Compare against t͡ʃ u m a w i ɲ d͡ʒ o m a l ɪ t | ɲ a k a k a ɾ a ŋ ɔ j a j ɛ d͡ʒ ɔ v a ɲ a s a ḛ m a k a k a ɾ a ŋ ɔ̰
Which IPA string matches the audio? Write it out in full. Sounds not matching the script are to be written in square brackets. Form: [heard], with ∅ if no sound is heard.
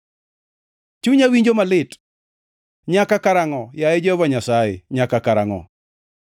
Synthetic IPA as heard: t͡ʃ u [ɲ] a w i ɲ d͡ʒ o m a l ɪ t | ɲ a k a k a ɾ a ŋ ɔ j a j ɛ d͡ʒ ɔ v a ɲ a s a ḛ [ɲ] a k a k a ɾ a ŋ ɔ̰